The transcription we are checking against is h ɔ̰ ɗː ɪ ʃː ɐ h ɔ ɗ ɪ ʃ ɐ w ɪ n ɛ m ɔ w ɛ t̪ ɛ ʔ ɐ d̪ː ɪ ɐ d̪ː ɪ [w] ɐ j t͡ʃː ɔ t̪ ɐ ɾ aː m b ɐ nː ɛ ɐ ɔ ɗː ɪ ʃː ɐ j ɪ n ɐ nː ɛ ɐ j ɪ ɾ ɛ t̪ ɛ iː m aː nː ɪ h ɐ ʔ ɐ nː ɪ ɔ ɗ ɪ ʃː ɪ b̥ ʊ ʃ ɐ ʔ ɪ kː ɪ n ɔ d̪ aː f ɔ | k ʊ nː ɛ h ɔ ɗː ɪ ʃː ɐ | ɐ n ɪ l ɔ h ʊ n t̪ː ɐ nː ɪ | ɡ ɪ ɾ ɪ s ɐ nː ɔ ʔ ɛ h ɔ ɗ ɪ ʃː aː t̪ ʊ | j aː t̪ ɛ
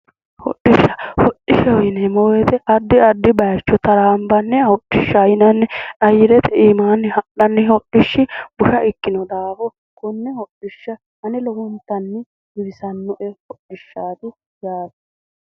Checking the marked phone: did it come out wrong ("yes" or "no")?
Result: yes